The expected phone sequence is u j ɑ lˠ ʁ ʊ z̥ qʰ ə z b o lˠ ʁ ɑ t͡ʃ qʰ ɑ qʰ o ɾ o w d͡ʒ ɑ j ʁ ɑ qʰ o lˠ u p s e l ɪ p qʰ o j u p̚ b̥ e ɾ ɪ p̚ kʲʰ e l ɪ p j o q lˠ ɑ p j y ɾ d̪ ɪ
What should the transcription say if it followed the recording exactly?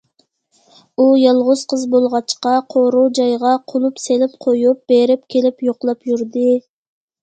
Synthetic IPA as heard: u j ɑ lˠ ʁ ʊ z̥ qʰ ə z b o lˠ ʁ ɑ t͡ʃ q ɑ qʰ o ɾ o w d͡ʒ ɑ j ʁ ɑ qʰ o lˠ u p s e l ɪ p qʰ o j u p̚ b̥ e ɾ ɪ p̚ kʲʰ e l ɪ p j o q lˠ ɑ p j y ɾ d̪ ɪ